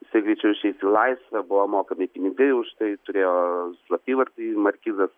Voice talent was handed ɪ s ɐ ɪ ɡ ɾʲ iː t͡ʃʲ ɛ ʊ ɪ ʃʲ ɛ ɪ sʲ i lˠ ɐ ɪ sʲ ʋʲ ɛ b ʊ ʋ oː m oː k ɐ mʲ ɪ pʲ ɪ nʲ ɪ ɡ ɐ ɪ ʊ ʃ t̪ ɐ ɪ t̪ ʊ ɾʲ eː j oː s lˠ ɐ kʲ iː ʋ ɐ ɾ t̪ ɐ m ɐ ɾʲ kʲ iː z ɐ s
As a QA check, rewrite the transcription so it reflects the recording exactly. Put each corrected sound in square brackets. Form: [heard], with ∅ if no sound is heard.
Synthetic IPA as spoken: ɪ s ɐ ɪ ɡ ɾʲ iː t͡ʃʲ ɛ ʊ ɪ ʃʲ ɛ ɪ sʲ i lˠ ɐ ɪ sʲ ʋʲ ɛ b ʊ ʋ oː m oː k ɐ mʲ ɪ pʲ ɪ nʲ ɪ ɡ ɐ ɪ ʊ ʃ t̪ ɐ ɪ t̪ ʊ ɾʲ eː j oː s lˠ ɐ [pʲ] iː ʋ ɐ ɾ t̪ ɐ m ɐ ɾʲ kʲ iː z ɐ s